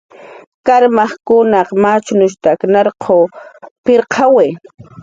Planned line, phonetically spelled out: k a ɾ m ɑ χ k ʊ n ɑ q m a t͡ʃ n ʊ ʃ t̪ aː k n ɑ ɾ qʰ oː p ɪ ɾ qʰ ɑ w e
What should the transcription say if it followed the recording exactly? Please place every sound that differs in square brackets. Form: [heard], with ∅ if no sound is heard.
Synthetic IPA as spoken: k a ɾ m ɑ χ k ʊ n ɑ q m a t͡ʃ n ʊ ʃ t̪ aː k n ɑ ɾ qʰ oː p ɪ ɾ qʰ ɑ w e